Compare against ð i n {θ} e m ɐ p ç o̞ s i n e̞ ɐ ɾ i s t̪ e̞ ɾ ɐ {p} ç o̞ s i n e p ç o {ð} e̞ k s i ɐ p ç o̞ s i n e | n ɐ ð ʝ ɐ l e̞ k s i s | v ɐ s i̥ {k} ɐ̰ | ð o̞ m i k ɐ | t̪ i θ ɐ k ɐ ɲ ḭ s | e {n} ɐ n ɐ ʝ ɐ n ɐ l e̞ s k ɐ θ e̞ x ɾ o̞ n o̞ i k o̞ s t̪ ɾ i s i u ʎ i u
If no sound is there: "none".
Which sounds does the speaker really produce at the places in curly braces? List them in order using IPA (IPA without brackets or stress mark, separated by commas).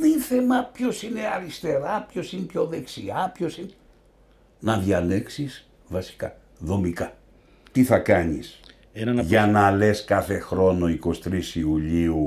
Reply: θ, p, ð, k, n